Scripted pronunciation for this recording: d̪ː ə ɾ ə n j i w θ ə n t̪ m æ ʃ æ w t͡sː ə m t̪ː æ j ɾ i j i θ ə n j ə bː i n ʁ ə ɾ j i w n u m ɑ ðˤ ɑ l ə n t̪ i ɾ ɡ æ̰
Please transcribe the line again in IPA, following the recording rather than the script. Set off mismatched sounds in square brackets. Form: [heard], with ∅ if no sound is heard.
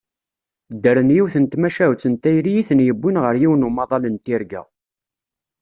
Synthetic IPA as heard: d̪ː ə ɾ ə n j i w θ ə n t̪ m æ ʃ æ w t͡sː ə [n] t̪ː æ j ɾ i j i θ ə n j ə bː i n ʁ ə ɾ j i w n u m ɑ ðˤ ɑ l ə n t̪ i ɾ ɡ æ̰